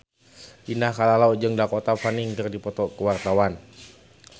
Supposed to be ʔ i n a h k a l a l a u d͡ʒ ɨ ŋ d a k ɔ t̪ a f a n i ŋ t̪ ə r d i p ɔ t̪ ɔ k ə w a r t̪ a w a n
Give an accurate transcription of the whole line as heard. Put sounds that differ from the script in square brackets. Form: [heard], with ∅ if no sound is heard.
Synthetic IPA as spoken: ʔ i n a h k a l a l a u d͡ʒ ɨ ŋ d a k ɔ t̪ a f a n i ŋ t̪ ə r d i p ɔ t̪ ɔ k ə w a r t̪ a w a n